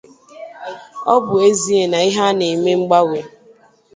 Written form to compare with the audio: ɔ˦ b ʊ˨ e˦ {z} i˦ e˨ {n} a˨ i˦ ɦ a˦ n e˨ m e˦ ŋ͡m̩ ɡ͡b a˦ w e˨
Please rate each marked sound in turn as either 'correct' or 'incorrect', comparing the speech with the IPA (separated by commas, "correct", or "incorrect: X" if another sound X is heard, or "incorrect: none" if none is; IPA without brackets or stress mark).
correct, correct